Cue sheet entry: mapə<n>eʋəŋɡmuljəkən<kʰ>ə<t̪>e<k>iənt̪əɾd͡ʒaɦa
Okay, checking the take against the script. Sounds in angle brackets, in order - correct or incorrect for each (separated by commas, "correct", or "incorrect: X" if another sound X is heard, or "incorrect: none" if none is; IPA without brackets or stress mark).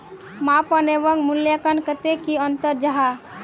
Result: correct, incorrect: k, correct, correct